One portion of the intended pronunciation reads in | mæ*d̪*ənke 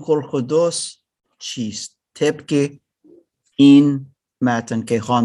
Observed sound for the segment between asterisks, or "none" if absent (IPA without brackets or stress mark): t̪